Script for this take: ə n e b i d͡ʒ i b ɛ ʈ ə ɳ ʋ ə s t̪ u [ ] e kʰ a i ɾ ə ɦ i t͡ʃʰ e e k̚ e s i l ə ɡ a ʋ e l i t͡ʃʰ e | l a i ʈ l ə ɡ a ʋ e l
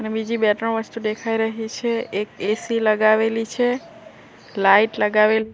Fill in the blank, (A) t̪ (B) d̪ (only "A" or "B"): B